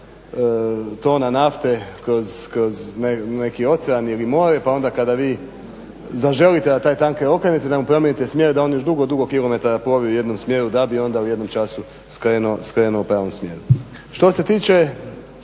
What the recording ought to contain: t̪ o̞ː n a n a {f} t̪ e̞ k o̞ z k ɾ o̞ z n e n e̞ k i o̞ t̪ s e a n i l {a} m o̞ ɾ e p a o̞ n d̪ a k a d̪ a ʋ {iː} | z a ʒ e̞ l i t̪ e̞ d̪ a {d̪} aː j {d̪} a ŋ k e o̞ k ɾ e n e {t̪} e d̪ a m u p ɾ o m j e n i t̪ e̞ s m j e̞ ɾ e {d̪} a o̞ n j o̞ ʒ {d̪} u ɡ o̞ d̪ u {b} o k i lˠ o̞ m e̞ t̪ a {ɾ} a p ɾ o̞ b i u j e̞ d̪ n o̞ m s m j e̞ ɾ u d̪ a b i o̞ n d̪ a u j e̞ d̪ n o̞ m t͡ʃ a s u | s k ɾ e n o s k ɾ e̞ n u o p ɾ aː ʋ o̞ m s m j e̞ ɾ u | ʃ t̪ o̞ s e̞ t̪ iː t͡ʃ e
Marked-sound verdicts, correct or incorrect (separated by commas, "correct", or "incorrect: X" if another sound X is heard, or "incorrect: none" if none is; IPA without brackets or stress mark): correct, incorrect: i, correct, incorrect: t̪, incorrect: t̪, correct, correct, correct, incorrect: ɡ, correct